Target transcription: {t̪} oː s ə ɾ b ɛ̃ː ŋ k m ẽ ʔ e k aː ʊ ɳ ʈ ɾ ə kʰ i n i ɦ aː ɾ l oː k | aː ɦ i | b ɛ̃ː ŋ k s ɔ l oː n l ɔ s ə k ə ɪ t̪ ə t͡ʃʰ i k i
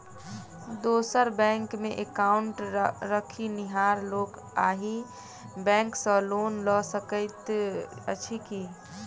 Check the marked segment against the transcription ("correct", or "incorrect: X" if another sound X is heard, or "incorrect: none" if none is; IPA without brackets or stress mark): incorrect: d̪